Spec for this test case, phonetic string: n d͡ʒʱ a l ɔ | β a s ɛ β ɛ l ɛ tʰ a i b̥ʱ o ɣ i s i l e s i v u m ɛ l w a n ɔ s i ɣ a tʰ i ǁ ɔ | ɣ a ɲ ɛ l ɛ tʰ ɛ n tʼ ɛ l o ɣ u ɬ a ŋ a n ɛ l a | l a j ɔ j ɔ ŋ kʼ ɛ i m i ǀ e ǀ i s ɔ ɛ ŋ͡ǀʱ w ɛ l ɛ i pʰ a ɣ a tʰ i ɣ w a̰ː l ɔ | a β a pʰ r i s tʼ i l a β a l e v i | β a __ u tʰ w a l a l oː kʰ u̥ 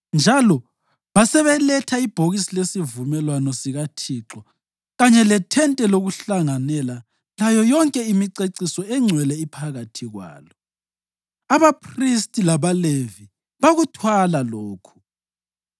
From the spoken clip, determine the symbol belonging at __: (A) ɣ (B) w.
A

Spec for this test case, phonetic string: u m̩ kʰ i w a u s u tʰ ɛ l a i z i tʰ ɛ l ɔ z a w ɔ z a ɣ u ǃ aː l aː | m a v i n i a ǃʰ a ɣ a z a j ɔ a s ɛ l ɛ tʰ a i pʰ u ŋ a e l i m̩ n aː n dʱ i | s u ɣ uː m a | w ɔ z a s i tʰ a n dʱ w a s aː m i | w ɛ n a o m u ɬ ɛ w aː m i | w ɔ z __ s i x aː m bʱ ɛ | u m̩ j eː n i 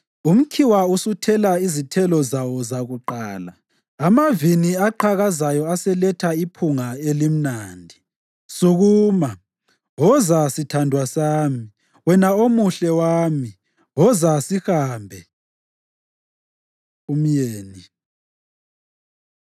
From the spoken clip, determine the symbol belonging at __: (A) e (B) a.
B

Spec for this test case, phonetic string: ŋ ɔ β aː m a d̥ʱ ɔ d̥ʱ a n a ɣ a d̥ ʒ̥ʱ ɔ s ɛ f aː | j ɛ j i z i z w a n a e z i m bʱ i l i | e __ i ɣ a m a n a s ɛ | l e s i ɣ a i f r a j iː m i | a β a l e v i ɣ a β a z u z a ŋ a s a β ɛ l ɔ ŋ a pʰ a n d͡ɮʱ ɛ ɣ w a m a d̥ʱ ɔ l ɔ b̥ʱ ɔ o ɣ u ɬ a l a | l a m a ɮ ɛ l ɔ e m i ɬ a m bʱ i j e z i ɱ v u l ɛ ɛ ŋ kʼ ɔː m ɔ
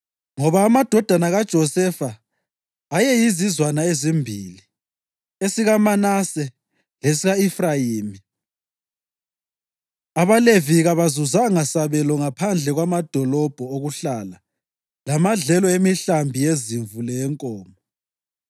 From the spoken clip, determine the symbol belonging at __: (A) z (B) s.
B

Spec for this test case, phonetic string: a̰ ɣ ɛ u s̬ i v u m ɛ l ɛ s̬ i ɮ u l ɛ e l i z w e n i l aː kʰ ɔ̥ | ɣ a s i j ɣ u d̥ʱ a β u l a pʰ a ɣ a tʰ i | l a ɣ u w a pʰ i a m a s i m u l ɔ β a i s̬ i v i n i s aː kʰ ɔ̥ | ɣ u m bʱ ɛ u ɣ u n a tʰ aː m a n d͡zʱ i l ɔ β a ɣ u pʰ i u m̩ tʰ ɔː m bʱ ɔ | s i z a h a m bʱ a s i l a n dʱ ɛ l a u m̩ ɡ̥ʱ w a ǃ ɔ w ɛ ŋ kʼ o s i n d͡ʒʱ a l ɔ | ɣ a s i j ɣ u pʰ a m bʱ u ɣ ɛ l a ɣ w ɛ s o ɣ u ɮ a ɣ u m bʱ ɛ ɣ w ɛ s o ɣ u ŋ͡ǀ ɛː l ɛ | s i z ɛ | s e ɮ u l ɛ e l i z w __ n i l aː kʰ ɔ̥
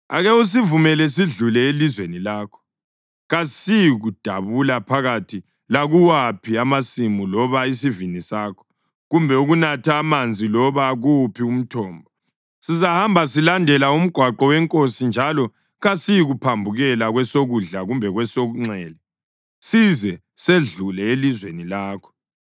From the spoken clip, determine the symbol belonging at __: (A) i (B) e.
B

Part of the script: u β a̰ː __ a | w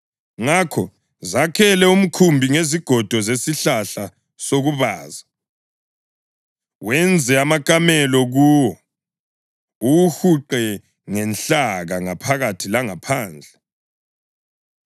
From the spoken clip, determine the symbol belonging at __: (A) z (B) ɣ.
A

